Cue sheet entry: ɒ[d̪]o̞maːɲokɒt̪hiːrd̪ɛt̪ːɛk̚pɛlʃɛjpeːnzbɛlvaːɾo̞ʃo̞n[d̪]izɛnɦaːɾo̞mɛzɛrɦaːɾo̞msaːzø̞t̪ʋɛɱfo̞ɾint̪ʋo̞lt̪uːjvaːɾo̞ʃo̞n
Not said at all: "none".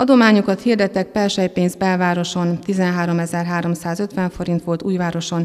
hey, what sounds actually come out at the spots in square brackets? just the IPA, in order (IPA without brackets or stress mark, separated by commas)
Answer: d̪, t̪